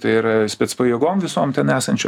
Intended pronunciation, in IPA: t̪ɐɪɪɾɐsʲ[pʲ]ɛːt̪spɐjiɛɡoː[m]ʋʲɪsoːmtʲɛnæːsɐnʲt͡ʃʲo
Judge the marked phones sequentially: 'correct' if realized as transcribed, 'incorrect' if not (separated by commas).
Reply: correct, correct